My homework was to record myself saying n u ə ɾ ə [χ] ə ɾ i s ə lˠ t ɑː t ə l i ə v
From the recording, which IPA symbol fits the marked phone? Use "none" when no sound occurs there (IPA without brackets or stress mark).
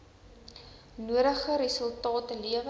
χ